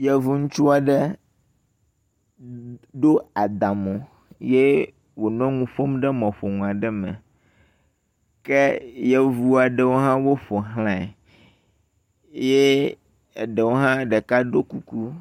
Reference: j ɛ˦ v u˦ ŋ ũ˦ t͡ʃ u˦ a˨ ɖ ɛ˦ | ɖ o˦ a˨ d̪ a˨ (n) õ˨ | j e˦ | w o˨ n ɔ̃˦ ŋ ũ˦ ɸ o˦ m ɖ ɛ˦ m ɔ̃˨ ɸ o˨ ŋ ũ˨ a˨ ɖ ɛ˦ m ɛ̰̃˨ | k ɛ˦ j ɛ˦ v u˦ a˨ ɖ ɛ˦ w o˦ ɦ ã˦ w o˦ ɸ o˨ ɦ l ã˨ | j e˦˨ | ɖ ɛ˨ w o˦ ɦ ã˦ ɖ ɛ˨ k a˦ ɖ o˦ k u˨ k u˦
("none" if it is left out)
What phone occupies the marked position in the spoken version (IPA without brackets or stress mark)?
m